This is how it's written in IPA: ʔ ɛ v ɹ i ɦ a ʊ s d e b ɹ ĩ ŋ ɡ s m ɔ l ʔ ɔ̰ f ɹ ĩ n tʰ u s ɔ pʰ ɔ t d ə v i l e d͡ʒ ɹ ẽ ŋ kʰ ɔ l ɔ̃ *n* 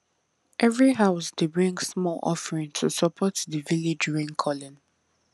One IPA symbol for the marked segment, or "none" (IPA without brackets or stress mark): n